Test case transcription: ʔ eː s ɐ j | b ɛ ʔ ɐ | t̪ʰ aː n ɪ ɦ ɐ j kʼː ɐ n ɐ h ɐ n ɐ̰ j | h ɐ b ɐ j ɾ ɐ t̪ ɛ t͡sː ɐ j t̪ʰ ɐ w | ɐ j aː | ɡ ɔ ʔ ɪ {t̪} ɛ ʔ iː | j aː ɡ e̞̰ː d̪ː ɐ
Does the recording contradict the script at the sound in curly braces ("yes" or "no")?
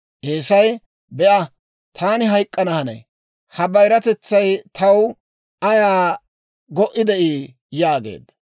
yes